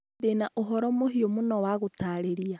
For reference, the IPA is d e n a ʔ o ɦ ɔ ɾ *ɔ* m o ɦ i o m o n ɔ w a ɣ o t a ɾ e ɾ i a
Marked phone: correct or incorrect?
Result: correct